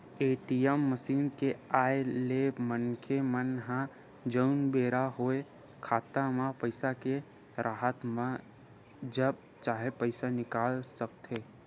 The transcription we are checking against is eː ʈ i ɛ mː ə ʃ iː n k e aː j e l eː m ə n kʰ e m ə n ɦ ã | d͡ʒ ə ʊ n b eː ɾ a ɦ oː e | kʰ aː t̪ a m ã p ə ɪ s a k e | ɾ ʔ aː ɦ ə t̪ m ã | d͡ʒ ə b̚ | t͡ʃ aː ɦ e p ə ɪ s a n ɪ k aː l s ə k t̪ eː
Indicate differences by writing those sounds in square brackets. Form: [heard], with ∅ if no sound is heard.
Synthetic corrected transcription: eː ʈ i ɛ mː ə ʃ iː n k e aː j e l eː m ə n kʰ e m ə n ɦ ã | d͡ʒ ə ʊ n b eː ɾ a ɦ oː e | kʰ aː t̪ a m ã p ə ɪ s a k e | ɾ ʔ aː ɦ ə t̪ m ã | d͡ʒ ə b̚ | t͡ʃ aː ɦ e p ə ɪ s a n ɪ k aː l s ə k t̪ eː